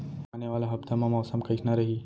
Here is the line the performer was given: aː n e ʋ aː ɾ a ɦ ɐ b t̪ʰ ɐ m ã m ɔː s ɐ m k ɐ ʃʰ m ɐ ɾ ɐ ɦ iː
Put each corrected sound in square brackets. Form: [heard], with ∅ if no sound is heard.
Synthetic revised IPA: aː n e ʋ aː [l] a ɦ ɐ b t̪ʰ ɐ m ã m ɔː s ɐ m k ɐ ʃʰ [n] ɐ ɾ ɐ ɦ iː